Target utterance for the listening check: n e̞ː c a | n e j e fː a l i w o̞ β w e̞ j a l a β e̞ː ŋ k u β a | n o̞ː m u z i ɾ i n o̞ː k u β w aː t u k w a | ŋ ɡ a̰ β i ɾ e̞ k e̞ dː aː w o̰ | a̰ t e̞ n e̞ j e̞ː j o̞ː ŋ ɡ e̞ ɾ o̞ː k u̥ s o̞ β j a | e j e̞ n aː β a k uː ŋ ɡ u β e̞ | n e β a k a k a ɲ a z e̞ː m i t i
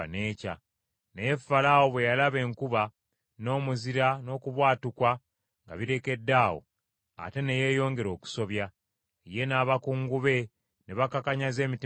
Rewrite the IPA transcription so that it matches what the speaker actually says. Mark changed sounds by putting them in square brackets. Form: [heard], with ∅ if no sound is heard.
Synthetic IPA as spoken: n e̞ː c a | n e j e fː a l [a] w o̞ β w e̞ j a l a β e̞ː ŋ k u β a | n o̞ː m u z i ɾ [a] n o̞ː k u β w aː t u k w a | ŋ ɡ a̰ β i ɾ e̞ k e̞ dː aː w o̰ | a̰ t e̞ n e̞ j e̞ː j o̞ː ŋ ɡ e̞ ɾ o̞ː k u̥ s o̞ β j a | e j e̞ n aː β a k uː ŋ ɡ u β e̞ | n e β a k a k a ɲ a z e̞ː m i t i

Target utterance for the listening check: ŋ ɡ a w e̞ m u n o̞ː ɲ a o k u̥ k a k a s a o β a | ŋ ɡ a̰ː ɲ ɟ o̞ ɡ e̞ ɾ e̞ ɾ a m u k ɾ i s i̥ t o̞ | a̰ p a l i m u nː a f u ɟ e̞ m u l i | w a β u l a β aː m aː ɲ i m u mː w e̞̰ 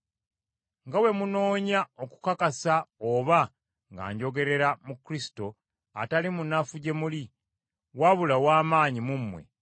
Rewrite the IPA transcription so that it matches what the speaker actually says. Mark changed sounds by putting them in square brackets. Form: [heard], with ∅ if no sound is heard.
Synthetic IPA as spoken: ŋ ɡ a w e̞ m u n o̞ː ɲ a o k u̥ k a k a s a o β a | ŋ ɡ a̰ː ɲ ɟ o̞ ɡ e̞ ɾ e̞ ɾ a m u k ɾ i s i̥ t o̞ | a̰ [t] a l i m u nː a f u ɟ e̞ m u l i | w a β u l a [w] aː m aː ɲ i m u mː w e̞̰

